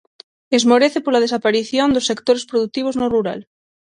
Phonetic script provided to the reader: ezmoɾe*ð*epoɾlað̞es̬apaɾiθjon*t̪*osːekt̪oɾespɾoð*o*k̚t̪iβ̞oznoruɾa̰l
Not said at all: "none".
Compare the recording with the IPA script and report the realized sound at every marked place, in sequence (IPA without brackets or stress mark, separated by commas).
θ, d̪, u